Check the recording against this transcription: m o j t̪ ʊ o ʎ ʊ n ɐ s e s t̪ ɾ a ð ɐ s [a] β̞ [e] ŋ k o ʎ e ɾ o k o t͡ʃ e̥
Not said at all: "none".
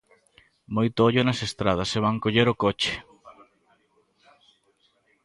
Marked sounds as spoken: e, a

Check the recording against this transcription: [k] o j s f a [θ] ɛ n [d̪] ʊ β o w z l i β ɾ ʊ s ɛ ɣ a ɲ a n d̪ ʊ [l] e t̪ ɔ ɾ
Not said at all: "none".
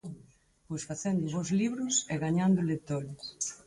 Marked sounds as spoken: p, θ, d̪, l

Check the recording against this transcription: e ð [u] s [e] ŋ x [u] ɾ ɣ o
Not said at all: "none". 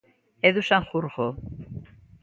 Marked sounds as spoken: u, a, u

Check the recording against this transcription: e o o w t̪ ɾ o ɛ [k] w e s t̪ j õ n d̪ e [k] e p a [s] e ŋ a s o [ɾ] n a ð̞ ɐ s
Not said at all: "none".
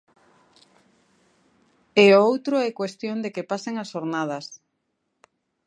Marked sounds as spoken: k, k, s, ɾ

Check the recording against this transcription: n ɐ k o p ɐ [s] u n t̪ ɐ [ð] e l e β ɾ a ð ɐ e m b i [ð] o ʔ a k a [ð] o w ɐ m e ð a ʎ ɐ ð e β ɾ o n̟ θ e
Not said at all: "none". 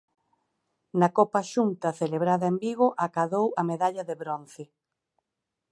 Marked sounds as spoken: ʃ, θ, ɣ, ð

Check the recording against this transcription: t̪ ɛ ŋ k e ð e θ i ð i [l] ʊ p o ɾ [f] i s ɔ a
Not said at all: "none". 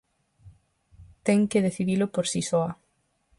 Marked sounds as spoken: l, s

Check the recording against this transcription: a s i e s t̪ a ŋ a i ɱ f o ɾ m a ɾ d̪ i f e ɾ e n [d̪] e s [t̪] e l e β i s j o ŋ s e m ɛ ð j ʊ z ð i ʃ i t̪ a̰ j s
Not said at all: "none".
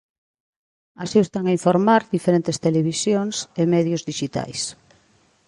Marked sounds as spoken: t̪, t̪

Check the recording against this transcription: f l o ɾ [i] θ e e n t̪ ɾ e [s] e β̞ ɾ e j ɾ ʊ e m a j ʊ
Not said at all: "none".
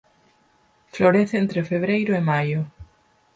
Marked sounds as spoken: e, f

